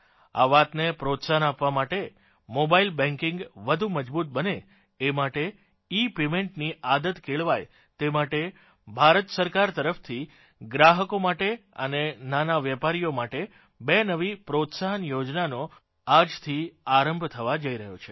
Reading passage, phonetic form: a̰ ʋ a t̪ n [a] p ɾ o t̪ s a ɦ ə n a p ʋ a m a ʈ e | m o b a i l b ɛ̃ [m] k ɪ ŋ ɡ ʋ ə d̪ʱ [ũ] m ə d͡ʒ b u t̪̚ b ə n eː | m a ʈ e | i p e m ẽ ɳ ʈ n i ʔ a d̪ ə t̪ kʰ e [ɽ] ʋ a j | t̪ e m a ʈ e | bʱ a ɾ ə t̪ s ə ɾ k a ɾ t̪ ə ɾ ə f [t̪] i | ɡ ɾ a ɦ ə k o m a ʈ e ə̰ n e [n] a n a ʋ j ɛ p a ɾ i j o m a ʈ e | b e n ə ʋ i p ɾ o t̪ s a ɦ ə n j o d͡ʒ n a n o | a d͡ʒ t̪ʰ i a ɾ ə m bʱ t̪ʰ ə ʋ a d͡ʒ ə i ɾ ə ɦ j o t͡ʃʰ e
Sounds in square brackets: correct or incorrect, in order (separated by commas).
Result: incorrect, incorrect, incorrect, incorrect, incorrect, correct